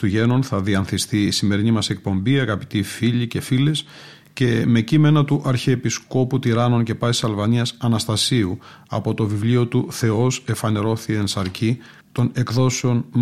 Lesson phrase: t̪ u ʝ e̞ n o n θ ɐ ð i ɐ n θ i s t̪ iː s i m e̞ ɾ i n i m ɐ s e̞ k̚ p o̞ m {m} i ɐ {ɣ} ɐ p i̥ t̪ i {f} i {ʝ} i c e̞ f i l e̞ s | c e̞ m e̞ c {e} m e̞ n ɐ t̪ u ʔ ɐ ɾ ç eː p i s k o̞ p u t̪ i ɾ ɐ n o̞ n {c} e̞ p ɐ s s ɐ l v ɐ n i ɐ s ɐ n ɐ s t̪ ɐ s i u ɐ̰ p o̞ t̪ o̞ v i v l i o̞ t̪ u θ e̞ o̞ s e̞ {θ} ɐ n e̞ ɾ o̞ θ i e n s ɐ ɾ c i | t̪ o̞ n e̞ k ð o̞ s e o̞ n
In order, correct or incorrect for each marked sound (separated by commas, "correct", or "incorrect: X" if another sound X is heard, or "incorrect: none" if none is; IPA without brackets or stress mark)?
incorrect: b, correct, correct, incorrect: ʎ, incorrect: i, correct, incorrect: f